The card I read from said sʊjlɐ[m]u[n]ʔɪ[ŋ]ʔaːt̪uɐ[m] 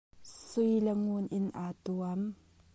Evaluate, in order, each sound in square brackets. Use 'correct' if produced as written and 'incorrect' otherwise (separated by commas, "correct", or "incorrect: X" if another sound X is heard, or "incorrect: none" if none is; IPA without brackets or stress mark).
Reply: incorrect: ŋ, correct, incorrect: n, correct